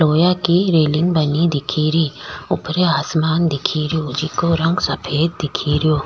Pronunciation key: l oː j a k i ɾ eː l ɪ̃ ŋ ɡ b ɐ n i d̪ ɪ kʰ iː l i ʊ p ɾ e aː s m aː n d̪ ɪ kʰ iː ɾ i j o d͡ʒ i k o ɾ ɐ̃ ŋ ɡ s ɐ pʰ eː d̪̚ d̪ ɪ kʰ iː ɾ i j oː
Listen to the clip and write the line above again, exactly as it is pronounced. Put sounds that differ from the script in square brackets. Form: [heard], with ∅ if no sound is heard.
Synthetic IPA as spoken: l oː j a k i ɾ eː l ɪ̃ ŋ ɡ b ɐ n i d̪ ɪ kʰ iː [ɾ] i ʊ p ɾ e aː s m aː n d̪ ɪ kʰ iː ɾ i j o d͡ʒ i k o ɾ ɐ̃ ŋ ɡ s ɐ pʰ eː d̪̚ d̪ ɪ kʰ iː ɾ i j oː